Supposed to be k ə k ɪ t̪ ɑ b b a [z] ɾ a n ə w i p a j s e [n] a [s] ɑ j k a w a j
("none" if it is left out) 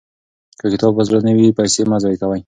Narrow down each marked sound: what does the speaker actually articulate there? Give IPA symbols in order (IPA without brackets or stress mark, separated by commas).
z, m, z